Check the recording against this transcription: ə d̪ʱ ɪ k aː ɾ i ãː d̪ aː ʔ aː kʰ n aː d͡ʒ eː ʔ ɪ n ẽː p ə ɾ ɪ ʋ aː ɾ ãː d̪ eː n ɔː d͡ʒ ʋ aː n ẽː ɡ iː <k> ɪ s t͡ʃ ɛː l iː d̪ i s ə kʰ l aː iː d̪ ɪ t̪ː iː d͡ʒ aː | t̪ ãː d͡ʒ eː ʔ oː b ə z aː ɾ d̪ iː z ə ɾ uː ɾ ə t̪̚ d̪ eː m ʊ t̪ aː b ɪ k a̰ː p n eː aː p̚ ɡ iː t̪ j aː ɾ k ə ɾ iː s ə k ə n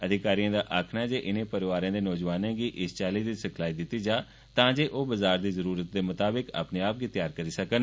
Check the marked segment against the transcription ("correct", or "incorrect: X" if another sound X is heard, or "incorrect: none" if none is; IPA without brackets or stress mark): incorrect: ʔ